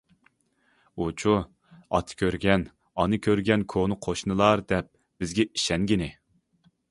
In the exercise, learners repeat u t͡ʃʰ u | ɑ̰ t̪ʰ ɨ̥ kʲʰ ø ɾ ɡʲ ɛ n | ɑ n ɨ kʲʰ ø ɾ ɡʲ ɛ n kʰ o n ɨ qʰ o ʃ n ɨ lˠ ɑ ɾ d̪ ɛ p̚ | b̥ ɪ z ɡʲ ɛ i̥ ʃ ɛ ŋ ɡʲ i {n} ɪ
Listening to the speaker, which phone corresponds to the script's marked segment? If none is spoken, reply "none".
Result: n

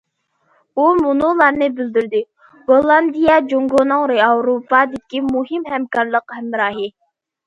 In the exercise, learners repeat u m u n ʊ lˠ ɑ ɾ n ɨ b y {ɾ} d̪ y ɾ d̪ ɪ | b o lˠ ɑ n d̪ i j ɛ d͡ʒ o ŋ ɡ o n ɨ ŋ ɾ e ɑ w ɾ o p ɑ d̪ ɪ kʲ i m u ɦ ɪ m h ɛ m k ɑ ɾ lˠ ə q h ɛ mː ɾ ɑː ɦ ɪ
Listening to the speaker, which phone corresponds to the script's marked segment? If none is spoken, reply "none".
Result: l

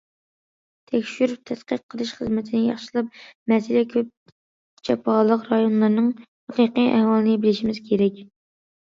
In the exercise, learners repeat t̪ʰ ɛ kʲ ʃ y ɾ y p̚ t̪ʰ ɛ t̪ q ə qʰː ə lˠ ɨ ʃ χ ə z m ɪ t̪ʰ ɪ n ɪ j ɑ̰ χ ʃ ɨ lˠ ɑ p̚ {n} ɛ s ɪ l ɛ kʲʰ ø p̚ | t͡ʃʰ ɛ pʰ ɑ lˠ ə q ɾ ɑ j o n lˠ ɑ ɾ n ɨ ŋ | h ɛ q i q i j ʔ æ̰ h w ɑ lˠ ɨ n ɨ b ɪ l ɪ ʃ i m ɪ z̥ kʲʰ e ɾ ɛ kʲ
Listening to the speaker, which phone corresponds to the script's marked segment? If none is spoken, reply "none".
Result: m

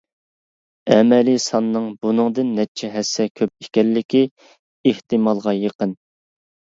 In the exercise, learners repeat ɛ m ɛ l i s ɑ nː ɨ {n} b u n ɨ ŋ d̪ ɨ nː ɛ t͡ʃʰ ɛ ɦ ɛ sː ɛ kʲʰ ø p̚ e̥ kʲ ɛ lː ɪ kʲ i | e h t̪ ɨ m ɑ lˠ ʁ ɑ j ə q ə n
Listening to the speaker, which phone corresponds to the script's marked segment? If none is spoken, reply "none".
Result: ŋ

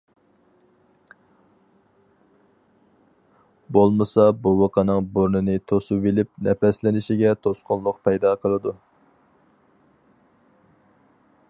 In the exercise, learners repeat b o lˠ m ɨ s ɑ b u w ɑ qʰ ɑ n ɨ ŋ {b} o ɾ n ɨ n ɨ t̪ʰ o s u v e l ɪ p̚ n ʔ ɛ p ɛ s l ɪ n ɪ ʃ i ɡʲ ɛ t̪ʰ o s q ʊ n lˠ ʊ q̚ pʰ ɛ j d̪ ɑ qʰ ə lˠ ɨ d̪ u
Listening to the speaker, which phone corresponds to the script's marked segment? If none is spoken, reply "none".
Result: b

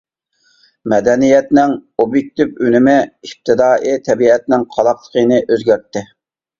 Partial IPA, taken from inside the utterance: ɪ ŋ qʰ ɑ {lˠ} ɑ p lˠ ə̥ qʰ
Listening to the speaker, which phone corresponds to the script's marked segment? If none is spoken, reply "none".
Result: lˠ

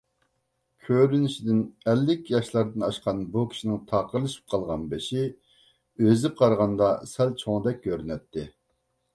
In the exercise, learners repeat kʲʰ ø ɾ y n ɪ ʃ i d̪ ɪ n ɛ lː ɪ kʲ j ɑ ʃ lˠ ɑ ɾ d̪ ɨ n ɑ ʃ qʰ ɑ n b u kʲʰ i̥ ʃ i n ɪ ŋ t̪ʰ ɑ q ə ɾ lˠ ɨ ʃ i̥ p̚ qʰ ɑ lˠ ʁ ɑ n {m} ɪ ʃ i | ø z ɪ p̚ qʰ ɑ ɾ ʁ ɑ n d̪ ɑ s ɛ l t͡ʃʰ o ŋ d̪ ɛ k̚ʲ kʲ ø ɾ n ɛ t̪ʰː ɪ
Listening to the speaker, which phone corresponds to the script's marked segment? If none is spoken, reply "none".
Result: b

